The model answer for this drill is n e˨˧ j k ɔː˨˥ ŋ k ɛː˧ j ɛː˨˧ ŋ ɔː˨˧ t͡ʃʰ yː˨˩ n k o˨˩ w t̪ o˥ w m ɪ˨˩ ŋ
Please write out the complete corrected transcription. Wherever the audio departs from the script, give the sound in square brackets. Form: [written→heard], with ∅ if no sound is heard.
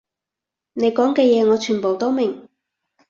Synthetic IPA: n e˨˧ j k ɔː˨˥ ŋ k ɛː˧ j ɛː˨˧ ŋ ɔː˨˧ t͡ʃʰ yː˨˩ n [k→p] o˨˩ w t̪ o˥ w m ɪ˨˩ ŋ